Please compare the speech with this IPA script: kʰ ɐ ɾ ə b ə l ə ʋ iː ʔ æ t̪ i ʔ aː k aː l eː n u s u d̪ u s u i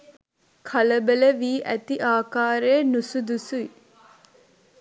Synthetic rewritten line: kʰ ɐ l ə b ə l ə ʋ iː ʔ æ t̪ i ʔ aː k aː ɾ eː n u s u d̪ u s u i